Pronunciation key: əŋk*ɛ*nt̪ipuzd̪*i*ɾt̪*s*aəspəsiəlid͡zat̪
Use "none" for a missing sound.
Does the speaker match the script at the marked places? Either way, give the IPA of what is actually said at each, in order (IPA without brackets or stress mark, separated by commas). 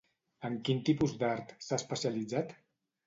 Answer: i, a, s